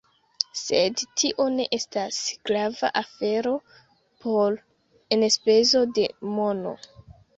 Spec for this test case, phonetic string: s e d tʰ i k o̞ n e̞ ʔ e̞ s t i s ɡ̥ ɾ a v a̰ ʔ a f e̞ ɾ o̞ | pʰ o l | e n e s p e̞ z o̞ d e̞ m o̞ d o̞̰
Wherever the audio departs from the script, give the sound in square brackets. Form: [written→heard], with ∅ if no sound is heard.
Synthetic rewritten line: s e d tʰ i [k→ʔ] o̞ n e̞ ʔ e̞ s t [i→a] s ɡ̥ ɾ a v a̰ ʔ a f e̞ ɾ o̞ | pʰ o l | e n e s p e̞ z o̞ d e̞ m o̞ [d→n] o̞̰